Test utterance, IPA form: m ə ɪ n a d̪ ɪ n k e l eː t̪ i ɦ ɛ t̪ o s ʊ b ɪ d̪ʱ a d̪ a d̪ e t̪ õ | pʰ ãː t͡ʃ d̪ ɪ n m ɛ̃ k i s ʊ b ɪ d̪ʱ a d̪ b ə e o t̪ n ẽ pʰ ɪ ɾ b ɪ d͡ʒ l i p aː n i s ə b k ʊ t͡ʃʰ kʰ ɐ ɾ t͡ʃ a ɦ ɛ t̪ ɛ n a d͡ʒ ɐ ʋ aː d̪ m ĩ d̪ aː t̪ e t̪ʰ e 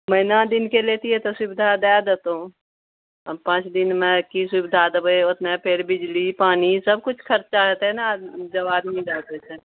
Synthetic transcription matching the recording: m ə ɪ n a d̪ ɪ n k e l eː t̪ i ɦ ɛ t̪ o s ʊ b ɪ d̪ʱ a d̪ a d̪ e t̪ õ | p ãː t͡ʃ d̪ ɪ n m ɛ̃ k i s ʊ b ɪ d̪ʱ a d̪ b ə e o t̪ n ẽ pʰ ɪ ɾ b ɪ d͡ʒ l i p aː n i s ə b k ʊ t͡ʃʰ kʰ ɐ ɾ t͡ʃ a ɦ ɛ t̪ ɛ n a d͡ʒ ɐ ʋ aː d̪ m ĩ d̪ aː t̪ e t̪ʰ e